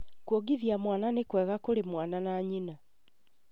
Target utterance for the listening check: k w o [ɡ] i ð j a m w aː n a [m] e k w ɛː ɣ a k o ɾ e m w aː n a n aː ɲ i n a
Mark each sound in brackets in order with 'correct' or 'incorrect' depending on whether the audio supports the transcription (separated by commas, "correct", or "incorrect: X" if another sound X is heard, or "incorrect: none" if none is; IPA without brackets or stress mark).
correct, incorrect: n